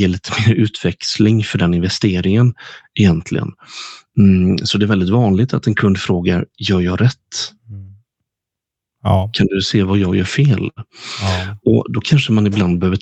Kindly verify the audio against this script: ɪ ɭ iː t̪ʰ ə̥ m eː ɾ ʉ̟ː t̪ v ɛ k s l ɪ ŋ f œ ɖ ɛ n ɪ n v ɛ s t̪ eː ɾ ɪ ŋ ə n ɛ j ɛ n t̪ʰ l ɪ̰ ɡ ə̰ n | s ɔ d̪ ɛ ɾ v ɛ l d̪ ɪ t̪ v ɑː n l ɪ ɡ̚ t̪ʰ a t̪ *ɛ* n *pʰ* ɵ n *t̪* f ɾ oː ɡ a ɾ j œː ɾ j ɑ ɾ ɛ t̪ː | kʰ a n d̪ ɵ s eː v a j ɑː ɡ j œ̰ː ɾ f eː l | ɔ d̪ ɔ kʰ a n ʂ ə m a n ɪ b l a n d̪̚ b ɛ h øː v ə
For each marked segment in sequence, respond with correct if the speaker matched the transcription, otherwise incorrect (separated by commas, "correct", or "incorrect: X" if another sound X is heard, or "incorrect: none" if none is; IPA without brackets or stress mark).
correct, incorrect: kʰ, incorrect: d̪